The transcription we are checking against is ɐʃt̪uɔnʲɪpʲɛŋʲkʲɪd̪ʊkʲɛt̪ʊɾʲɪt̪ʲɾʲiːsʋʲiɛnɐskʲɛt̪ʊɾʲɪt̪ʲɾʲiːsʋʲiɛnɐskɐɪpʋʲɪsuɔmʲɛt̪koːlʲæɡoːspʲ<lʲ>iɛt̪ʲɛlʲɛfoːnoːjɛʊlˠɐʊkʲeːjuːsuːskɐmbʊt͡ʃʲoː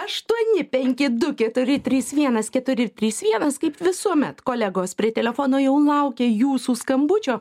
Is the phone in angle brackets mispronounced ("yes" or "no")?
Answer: yes